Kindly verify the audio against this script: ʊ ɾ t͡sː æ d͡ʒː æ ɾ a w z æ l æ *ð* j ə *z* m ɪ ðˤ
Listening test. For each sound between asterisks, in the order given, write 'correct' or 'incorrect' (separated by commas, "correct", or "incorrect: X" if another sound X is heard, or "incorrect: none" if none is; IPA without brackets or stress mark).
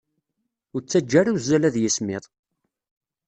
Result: correct, incorrect: s